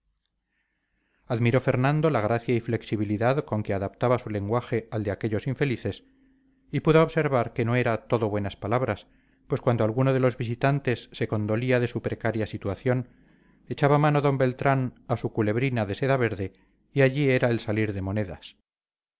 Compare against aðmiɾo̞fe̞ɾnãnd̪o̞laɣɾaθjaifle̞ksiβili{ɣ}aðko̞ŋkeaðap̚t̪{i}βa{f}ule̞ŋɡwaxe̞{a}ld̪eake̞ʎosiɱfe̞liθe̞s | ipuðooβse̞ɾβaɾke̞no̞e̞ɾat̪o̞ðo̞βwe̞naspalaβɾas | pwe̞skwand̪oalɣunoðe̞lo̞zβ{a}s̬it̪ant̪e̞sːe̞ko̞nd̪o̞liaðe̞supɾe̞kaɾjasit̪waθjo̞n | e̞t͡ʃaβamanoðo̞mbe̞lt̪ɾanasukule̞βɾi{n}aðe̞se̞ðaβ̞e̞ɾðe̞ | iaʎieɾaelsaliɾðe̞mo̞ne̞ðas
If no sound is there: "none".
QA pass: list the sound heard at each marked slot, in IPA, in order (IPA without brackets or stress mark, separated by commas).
ð, a, s, a, i, n